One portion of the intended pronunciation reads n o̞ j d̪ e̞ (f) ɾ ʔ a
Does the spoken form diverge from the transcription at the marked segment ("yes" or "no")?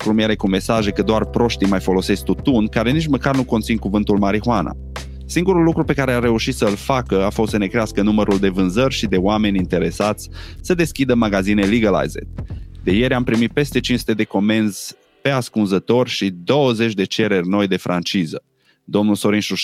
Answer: no